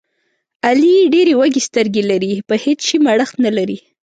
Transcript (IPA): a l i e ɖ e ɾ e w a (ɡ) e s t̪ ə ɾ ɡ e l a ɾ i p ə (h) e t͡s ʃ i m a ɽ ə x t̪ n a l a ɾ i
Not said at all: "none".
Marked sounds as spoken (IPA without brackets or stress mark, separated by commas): ɡ, h